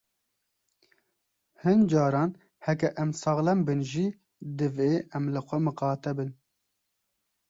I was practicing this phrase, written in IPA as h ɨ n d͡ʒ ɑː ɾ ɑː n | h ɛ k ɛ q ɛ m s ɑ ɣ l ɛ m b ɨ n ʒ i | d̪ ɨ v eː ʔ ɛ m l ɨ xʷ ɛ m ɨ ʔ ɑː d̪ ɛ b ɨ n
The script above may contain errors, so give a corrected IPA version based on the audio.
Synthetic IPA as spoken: h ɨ n d͡ʒ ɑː ɾ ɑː n | h ɛ k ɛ ʔ ɛ m s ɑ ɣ l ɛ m b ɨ n ʒ i | d̪ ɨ v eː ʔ ɛ m l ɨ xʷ ɛ m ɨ q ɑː t̪ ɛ b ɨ n